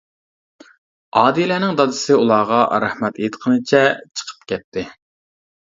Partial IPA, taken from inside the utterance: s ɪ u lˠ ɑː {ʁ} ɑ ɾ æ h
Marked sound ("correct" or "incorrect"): correct